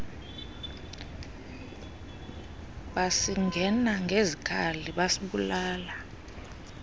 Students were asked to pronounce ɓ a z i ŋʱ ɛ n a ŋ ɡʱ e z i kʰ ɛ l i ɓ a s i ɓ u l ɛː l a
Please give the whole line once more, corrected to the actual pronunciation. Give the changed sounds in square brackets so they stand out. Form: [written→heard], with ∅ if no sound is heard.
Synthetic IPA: ɓ a [z→s] i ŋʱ ɛ n a ŋ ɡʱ e z i kʰ [ɛ→a] l i ɓ a s i ɓ u l [ɛː→aː] l a